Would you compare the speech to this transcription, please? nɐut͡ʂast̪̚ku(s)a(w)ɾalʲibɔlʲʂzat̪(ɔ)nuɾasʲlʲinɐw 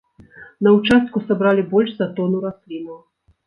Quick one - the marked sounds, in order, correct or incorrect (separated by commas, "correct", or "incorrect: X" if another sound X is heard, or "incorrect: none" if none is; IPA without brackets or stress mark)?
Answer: correct, incorrect: b, correct